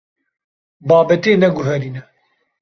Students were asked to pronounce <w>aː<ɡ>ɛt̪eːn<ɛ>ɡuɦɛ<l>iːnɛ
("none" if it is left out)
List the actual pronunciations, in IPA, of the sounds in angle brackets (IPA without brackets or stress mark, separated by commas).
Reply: b, b, ɛ, ɾ